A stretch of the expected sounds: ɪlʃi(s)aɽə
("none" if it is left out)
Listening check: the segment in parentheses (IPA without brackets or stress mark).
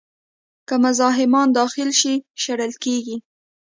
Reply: ʃ